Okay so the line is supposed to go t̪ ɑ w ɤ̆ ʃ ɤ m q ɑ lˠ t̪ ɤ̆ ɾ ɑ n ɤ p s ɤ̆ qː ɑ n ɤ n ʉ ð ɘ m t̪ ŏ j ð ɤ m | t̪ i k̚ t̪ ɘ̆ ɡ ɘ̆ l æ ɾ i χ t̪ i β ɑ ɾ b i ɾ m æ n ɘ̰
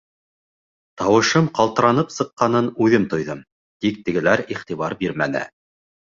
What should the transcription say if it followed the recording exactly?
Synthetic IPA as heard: t̪ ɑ w ɤ̆ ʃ ɤ m q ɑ lˠ t̪ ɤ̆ ɾ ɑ n ɤ p s ɤ̆ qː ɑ n ɤ n ʉ ð ɘ m t̪ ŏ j ð ɤ m | t̪ i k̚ t̪ ɘ̆ ɡ ɘ̆ l æ ɾ i χ t̪ i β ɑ ɾ b i ɾ m æ n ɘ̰